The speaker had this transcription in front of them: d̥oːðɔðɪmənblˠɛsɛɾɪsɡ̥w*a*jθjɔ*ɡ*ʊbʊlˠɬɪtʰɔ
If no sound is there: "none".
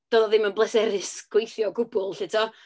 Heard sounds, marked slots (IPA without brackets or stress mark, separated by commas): e, ɡ